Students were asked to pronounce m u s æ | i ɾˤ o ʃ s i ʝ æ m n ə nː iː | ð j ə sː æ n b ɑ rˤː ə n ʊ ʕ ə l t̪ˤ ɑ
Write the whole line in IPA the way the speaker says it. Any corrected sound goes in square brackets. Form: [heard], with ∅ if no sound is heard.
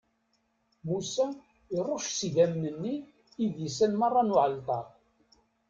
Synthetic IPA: m u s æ | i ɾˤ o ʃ s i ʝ æ m n ə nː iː | ð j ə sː æ n [m] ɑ rˤː [ɑ] n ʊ ʕ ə l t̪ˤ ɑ